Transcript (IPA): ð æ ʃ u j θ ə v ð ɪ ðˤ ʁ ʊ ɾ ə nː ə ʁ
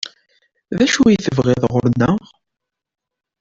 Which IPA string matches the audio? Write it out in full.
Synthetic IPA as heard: ð æ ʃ u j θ ə v ʁ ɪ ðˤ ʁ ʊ ɾ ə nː ə ʁ